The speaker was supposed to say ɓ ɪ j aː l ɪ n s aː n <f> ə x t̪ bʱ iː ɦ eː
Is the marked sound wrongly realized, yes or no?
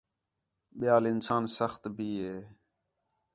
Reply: yes